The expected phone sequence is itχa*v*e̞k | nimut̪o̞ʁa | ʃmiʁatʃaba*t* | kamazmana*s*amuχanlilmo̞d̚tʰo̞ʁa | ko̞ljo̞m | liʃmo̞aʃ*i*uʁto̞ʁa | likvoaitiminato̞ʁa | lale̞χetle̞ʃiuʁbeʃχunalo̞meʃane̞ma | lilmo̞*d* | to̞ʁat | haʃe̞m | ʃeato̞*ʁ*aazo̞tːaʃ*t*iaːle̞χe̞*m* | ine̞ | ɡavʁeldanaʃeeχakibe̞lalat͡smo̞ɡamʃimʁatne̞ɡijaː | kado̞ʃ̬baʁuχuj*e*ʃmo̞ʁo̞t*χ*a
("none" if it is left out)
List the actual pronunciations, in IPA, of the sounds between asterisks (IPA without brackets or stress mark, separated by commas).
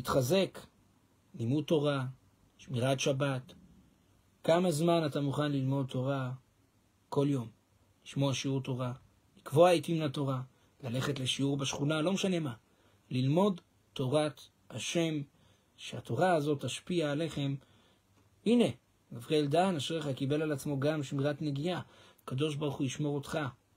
z, t, t, i, d, ʁ, p, m, i, χ